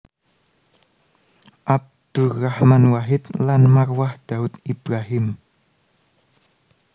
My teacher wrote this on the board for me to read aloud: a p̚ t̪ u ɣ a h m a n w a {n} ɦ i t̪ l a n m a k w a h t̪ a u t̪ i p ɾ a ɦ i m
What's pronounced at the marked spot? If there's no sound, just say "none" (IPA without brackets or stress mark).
none